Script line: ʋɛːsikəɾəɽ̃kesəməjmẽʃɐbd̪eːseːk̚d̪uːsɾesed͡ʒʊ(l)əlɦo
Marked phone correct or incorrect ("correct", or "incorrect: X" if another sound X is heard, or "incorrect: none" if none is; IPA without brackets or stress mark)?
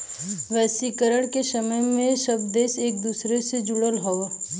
incorrect: ɽ